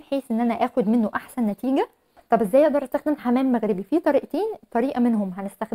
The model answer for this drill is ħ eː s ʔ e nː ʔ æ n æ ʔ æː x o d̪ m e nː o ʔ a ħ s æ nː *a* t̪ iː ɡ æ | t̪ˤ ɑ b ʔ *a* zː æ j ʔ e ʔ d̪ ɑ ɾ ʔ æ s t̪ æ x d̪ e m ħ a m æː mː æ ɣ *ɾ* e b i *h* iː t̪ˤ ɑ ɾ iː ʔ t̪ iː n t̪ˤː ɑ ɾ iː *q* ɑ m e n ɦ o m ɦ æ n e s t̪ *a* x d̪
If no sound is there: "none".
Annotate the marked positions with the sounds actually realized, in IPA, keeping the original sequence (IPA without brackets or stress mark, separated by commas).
æ, e, ɾ, f, ʔ, æ